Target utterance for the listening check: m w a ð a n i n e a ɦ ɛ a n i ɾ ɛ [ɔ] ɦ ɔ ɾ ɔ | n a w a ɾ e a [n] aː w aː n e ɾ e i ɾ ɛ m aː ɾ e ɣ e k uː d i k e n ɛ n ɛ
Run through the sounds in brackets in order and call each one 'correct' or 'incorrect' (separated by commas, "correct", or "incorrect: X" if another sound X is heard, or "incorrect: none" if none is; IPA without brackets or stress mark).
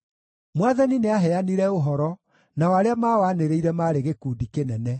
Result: incorrect: o, incorrect: m